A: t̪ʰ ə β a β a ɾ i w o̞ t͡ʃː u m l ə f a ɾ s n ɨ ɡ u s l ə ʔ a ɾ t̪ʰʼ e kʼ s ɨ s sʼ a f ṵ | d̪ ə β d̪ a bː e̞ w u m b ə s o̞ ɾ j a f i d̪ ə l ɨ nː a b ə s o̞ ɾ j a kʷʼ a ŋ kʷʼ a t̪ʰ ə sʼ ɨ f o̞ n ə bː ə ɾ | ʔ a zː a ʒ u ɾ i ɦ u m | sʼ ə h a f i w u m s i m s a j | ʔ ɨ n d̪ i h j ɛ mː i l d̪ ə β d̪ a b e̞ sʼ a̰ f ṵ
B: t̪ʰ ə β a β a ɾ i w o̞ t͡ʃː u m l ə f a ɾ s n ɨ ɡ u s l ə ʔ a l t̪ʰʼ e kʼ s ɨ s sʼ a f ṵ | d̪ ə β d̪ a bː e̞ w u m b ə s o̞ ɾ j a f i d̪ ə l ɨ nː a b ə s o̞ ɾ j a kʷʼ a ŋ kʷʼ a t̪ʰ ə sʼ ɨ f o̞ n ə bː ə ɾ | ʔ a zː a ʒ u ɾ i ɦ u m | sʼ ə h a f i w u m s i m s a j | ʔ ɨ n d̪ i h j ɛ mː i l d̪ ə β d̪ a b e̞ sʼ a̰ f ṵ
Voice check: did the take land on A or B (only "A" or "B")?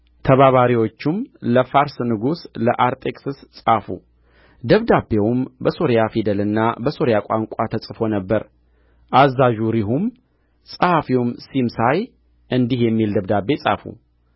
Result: A